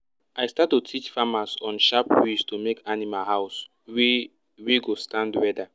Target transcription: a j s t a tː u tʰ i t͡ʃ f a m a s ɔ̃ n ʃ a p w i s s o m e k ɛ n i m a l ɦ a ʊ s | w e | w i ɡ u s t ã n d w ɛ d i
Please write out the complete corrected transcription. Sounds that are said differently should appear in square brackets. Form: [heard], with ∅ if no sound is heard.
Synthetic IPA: a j s t a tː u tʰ i t͡ʃ f a m a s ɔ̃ n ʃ a p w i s [t] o m e k [a] n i m a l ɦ a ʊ s | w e | w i ɡ [o] s t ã n d w ɛ d [a]